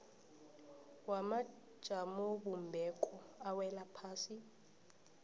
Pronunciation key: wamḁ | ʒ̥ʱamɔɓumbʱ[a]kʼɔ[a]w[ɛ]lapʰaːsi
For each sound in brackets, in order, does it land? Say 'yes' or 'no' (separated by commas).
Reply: no, yes, yes